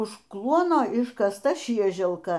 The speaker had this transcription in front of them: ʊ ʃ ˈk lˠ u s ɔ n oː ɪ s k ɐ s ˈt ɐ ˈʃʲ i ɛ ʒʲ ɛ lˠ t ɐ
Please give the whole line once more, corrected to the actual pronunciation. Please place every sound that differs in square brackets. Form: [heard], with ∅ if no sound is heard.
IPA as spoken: ʊ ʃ ˈk lˠ u [∅] ɔ n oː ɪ [ʃ] k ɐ s ˈt ɐ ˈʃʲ i ɛ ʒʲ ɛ lˠ [k] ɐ